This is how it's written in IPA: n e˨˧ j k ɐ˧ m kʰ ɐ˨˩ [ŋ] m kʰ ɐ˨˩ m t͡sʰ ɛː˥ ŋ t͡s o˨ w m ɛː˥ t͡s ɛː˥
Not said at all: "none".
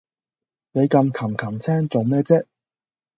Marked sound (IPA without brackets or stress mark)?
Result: none